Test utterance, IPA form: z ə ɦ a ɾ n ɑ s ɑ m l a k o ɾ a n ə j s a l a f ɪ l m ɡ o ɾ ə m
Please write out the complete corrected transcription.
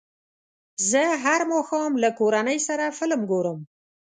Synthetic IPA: z ə ɦ a ɾ m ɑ x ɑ m l a k o ɾ a n ə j s a ɾ a f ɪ l m ɡ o ɾ ə m